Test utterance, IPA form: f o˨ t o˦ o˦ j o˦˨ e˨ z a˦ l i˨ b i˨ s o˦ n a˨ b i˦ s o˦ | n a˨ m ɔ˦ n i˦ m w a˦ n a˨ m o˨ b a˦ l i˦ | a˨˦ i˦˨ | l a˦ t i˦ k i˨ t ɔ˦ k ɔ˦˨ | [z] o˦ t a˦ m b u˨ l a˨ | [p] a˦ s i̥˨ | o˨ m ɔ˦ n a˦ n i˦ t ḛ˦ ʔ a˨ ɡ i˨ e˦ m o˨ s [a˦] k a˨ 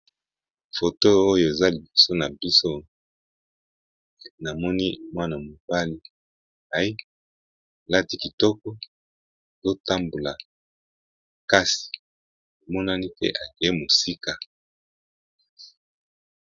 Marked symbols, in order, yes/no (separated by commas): yes, no, no